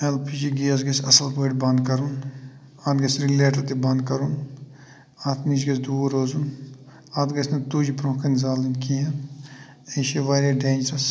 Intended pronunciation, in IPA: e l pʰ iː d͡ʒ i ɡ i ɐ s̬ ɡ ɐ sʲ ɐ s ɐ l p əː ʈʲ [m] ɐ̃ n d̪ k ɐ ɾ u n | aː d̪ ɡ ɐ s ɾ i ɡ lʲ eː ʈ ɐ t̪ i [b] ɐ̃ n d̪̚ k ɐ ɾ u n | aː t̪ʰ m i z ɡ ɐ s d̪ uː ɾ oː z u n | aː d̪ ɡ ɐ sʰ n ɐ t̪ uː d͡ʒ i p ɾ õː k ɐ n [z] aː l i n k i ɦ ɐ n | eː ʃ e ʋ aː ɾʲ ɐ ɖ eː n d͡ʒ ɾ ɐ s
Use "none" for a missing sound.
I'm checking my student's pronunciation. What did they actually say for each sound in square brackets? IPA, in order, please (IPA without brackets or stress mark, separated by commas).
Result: b, b, z